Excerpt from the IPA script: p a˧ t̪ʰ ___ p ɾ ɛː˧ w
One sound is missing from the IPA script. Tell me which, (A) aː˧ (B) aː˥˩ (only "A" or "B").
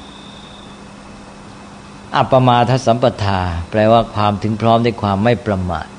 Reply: A